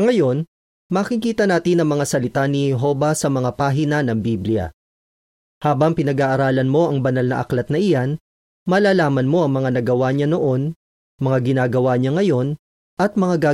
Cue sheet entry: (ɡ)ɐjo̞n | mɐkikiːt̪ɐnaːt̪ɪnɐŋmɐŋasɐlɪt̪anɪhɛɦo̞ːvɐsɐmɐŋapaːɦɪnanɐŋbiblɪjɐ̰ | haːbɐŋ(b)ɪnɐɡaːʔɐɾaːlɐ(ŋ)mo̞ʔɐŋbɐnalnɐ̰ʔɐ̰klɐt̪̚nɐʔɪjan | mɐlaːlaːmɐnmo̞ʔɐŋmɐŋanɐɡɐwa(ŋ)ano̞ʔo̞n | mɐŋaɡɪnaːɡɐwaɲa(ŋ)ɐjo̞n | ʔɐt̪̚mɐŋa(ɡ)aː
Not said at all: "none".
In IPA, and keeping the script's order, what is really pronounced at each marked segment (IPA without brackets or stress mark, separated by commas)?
ŋ, p, n, ɲ, ŋ, ɡ